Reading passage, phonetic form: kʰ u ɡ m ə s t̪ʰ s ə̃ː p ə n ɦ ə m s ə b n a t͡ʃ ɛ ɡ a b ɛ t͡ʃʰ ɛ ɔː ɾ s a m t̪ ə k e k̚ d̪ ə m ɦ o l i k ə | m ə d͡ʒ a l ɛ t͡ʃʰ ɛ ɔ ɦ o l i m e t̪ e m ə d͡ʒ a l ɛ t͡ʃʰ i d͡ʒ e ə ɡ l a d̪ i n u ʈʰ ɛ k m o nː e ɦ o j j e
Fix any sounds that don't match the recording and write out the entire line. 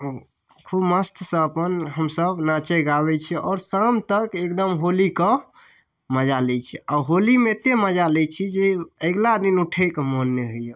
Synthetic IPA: kʰ u b m ə s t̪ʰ s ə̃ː p ə n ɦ ə m s ə b n a t͡ʃ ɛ ɡ a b ɛ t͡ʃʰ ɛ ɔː ɾ s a m t̪ ə k e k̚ d̪ ə m ɦ o l i k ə | m ə d͡ʒ a l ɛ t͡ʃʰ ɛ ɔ ɦ o l i m e t̪ e m ə d͡ʒ a l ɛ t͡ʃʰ i d͡ʒ e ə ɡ l a d̪ i n u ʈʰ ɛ k m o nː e ɦ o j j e

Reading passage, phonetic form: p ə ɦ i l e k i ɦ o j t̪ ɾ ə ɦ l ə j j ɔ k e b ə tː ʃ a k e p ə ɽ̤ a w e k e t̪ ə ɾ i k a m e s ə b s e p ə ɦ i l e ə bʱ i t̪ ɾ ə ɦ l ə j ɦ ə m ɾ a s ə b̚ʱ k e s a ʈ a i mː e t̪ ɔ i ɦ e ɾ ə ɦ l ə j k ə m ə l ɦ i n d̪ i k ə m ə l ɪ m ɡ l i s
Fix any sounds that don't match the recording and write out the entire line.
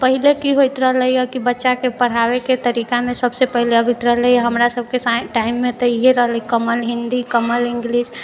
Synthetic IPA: p ə ɦ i l e k i ɦ o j t̪ ɾ ə ɦ l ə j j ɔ k i b ə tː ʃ a k e p ə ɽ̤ a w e k e t̪ ə ɾ i k a m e s ə b s e p ə ɦ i l e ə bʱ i t̪ ɾ ə ɦ l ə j ɦ ə m ɾ a s ə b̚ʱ k e s a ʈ a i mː e t̪ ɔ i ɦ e ɾ ə ɦ l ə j k ə m ə l ɦ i n d̪ i k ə m ə l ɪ ŋ ɡ l i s

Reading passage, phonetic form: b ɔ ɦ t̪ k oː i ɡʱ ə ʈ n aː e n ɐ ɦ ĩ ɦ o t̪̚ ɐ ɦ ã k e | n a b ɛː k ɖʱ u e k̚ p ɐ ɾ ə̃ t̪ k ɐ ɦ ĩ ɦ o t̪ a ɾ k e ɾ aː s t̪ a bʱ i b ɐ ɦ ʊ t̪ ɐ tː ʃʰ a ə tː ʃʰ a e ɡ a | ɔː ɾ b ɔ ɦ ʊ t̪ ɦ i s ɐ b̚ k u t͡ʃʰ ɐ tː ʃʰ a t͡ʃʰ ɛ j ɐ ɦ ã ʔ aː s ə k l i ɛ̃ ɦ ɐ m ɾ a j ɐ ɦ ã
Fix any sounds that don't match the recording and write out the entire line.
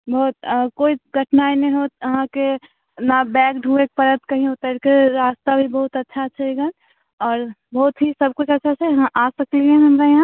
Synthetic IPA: b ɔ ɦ t̪ k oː i ɡʱ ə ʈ n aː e n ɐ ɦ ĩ ɦ o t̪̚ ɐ ɦ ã k e | n a b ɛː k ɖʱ u e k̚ p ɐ ɾ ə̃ t̪ k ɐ ɦ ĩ ɦ o t̪ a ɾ k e ɾ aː s t̪ a bʱ i b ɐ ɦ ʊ t̪ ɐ tː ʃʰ a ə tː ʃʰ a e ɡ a | ɔː ɾ b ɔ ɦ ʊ t̪ ɦ i s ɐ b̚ k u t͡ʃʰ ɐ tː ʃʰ a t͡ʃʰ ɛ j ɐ ɦ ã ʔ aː s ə k l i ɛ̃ ɦ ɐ m ɾ a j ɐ ɦ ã

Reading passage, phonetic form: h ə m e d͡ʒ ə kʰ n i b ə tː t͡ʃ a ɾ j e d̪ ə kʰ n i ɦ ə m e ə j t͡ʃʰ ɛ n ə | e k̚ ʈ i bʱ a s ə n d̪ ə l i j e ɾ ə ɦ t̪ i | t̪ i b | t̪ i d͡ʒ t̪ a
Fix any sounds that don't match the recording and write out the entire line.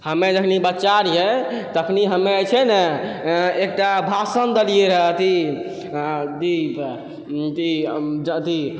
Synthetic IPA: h ə m e d͡ʒ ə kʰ n i b ə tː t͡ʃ a ɾ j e t̪ ə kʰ n i ɦ ə m e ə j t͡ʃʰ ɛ n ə | e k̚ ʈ a bʱ a s ə n d̪ ə l i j e ɾ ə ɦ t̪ i | d̪ i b | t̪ i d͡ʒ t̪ i

